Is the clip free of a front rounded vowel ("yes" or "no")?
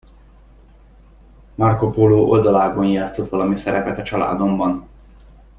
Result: yes